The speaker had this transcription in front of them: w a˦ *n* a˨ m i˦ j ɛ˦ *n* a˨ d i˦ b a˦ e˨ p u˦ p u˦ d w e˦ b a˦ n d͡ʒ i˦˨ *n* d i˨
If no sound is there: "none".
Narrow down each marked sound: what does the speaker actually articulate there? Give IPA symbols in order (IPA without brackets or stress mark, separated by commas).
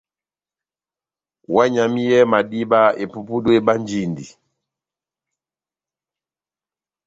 ɲ, m, n